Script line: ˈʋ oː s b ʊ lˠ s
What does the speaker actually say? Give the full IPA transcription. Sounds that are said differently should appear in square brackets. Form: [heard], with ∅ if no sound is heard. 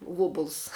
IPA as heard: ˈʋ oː [∅] b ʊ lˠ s